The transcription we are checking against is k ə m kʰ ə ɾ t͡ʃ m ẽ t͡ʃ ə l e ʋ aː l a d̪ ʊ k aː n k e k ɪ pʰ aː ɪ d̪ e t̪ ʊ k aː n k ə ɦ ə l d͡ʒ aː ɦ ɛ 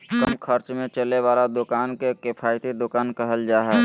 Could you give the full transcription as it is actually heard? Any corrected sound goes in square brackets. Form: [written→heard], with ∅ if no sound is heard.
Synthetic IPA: k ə m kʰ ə ɾ t͡ʃ m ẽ t͡ʃ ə l e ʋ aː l a d̪ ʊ k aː n k e k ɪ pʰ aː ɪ [d̪→t̪] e [t̪→d̪] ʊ k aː n k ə ɦ ə l d͡ʒ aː ɦ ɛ